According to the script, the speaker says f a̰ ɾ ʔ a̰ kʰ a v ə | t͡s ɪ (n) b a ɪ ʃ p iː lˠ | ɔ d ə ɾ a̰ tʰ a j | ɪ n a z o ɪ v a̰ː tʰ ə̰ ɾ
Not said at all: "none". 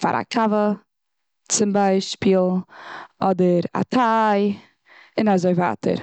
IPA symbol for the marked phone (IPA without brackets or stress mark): m